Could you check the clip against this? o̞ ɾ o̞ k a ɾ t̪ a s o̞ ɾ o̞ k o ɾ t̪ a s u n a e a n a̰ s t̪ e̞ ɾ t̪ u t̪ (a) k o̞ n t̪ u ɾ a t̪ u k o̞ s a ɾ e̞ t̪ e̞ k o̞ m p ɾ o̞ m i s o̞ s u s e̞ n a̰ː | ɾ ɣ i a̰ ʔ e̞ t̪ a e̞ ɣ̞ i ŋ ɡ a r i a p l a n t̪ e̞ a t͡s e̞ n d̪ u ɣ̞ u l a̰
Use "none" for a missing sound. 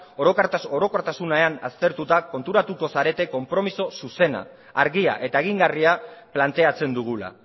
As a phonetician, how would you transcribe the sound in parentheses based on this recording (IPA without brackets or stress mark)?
a